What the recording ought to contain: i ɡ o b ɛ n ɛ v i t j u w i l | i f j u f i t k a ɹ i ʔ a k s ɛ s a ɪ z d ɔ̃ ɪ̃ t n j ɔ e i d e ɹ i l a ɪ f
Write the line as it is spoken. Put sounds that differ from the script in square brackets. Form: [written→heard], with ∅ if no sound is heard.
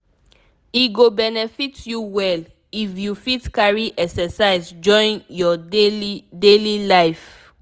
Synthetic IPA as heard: i ɡ o b ɛ n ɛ [v→f] i t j u w [i→ɛ] l | i f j u f i t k a ɹ i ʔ [a→ɛ] k s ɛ s a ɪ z [d→d͡ʒ] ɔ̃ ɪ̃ [t→∅] n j ɔ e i d e [ɹ→l] i l a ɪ f